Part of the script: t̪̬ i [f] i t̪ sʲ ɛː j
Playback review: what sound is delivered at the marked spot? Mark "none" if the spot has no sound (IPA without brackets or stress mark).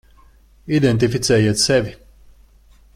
f